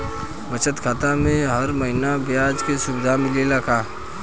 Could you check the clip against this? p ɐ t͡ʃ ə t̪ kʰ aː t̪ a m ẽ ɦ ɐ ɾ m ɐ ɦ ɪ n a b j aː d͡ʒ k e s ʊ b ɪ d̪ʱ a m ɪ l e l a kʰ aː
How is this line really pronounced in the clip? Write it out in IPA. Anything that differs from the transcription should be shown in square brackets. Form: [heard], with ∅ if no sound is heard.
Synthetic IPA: [b] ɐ t͡ʃ ə t̪ kʰ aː t̪ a m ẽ ɦ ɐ ɾ m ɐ ɦ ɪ n a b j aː d͡ʒ k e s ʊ b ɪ d̪ʱ a m ɪ l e l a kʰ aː